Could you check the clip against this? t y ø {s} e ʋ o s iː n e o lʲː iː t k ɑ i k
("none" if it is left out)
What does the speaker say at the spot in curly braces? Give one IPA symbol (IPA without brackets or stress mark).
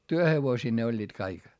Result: h